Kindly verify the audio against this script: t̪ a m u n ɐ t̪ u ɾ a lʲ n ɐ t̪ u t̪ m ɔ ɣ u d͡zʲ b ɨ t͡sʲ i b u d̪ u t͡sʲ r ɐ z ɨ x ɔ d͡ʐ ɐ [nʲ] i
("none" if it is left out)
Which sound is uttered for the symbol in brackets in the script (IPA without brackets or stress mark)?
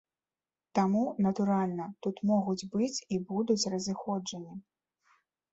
nʲ